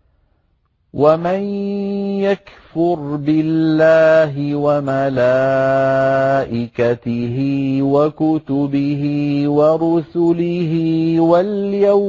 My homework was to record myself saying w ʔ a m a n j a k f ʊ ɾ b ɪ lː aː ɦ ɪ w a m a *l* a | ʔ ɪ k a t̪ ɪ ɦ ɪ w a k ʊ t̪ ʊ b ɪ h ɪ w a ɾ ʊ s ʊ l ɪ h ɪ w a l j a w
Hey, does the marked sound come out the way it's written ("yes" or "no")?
yes